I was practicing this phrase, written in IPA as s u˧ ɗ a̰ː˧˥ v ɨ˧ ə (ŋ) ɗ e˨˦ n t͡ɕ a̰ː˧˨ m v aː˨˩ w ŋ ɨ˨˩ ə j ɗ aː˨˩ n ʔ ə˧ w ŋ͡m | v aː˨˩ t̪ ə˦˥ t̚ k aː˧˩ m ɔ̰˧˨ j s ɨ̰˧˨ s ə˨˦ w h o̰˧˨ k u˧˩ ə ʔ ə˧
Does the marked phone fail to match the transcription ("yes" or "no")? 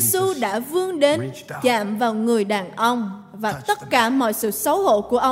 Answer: no